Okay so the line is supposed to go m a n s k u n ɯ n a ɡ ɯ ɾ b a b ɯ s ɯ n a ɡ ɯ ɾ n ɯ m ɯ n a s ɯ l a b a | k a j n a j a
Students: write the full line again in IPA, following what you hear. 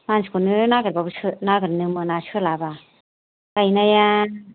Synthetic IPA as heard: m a n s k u n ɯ n a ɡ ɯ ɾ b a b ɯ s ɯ n a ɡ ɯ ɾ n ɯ m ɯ n a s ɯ l a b a | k a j n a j a